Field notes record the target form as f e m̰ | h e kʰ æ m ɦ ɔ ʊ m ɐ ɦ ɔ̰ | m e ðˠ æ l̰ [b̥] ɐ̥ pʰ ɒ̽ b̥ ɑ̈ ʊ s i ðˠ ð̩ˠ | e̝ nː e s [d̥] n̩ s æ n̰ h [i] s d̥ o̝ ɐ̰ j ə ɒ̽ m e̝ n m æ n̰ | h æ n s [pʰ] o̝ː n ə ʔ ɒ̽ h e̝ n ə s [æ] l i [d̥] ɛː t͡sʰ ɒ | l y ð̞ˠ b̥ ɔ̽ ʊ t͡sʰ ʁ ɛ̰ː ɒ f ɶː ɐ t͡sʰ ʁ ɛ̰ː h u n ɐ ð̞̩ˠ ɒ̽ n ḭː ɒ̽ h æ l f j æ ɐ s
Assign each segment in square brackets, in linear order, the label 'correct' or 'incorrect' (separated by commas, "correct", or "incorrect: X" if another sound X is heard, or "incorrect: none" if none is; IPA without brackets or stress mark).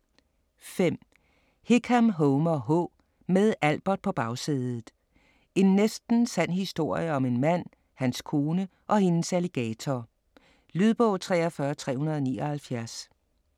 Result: correct, correct, correct, incorrect: kʰ, correct, incorrect: ɡ̥